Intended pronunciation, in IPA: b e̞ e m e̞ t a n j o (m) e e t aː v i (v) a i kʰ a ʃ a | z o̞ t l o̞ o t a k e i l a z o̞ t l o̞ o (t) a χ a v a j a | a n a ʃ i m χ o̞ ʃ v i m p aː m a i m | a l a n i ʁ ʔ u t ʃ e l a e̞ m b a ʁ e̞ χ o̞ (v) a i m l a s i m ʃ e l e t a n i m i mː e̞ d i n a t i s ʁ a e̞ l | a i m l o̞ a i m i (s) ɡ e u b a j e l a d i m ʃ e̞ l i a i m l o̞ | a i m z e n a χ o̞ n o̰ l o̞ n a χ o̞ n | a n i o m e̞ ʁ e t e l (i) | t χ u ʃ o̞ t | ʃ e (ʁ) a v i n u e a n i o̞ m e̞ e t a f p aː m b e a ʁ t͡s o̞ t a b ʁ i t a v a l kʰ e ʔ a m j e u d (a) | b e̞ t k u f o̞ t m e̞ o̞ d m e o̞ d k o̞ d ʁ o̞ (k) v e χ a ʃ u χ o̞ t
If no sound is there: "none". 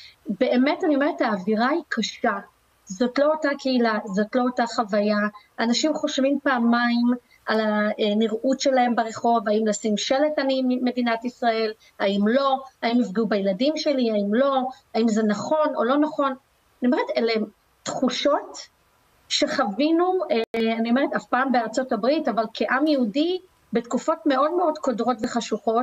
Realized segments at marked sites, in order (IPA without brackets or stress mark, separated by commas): m, ʁ, t, v, f, e, χ, i, t